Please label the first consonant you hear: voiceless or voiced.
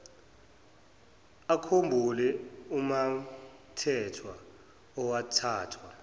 voiceless